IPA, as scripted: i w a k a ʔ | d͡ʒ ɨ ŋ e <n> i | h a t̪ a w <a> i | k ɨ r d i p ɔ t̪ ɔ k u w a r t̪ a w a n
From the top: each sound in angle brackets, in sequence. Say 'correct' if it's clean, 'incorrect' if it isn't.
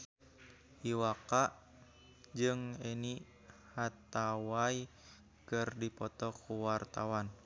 correct, correct

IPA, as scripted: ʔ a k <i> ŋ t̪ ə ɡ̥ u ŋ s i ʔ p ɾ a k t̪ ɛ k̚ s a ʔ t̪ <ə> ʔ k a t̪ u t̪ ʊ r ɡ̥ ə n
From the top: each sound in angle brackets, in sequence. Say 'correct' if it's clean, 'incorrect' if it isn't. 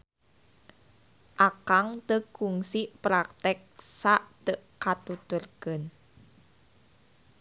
incorrect: a, correct

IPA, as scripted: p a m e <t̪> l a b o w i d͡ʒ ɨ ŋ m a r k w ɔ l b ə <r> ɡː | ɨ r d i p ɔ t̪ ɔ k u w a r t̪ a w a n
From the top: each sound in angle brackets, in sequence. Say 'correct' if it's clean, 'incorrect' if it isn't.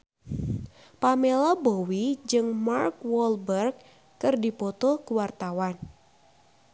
incorrect: none, correct

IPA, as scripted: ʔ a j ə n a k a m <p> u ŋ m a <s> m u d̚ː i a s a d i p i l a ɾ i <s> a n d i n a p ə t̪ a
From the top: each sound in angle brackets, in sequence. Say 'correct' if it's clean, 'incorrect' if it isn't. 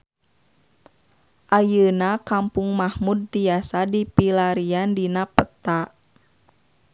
correct, incorrect: h, incorrect: none

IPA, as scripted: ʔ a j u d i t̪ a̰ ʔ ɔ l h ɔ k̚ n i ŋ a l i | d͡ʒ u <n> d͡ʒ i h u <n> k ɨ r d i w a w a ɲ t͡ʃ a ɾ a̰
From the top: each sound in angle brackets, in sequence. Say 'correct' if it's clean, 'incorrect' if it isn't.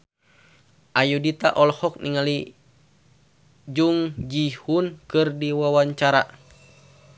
incorrect: ŋ, correct

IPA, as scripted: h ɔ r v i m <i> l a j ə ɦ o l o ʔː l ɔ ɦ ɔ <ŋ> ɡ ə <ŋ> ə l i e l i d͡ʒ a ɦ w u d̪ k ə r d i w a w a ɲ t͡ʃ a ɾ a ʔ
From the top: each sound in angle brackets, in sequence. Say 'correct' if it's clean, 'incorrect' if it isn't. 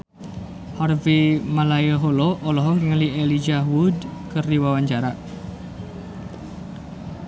incorrect: a, correct, correct

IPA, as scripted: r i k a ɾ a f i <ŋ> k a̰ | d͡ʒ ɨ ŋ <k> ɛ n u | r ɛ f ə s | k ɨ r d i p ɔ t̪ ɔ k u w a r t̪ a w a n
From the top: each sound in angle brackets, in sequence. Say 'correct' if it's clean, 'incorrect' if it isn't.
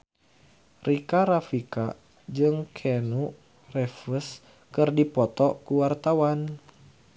incorrect: none, incorrect: kʰ

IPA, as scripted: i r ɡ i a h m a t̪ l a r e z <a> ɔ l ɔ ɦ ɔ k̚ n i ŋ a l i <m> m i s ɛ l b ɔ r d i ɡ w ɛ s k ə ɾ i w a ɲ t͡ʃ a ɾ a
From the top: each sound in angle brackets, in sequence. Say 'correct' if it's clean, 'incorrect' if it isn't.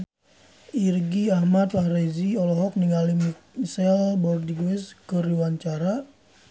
incorrect: i, correct

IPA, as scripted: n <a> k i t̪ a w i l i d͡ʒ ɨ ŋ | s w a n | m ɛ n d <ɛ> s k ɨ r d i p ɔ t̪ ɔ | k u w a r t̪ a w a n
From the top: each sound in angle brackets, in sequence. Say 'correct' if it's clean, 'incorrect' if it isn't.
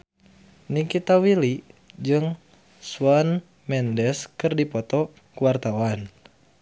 incorrect: i, correct

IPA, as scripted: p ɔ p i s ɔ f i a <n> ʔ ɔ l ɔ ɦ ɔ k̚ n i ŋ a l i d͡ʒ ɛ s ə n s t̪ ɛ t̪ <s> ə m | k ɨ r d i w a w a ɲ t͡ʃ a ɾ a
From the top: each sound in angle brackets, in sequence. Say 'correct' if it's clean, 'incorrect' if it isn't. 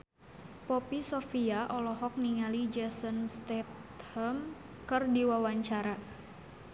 incorrect: none, incorrect: h

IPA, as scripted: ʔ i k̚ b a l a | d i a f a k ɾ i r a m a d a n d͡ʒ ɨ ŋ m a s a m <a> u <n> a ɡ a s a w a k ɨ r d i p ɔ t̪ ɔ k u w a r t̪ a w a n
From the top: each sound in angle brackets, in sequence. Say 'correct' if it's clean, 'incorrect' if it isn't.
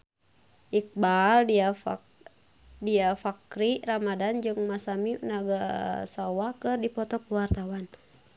incorrect: i, correct

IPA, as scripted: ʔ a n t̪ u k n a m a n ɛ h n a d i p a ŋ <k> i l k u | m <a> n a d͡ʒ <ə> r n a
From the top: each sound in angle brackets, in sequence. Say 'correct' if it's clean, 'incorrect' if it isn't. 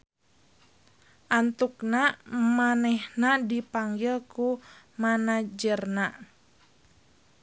incorrect: ɡ, correct, correct

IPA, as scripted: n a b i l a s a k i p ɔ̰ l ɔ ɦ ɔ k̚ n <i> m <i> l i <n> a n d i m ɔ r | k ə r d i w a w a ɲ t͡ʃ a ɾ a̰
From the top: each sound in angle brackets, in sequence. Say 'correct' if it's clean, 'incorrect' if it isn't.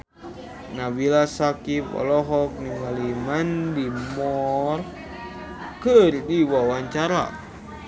correct, incorrect: a, incorrect: m

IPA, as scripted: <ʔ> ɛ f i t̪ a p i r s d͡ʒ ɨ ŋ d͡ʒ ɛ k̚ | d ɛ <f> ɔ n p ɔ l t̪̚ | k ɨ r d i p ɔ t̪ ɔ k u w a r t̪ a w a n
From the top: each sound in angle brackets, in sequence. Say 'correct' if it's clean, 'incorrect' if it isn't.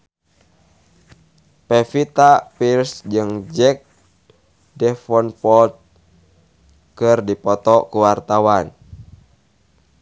incorrect: p, correct

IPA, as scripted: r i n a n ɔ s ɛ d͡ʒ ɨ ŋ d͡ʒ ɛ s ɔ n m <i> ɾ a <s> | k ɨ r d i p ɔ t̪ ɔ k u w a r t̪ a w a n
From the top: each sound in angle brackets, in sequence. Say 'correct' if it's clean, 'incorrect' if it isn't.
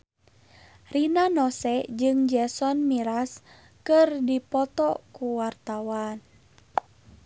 correct, correct

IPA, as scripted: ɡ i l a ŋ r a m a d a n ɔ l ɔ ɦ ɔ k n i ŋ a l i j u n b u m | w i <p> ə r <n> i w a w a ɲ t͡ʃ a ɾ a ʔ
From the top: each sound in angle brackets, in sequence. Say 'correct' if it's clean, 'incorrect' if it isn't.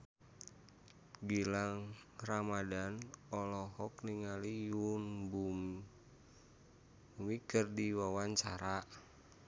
incorrect: k, incorrect: d

